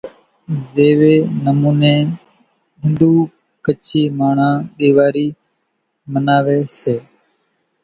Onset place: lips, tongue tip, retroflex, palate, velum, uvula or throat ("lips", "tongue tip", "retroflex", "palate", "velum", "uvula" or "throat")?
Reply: tongue tip